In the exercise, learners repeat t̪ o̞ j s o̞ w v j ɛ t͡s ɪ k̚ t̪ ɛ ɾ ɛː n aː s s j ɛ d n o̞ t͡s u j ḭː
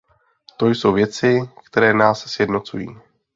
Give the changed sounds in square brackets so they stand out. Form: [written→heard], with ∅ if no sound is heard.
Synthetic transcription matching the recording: t̪ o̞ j s o̞ w v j ɛ t͡s ɪ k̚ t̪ ɛ ɾ ɛː n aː s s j ɛ d n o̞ t͡s u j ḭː